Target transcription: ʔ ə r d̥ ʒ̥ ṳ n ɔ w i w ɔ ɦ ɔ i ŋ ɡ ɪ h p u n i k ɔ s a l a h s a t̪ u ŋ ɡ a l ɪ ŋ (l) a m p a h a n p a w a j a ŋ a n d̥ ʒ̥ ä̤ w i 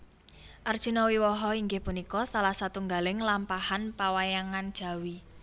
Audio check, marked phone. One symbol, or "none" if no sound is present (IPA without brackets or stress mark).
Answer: l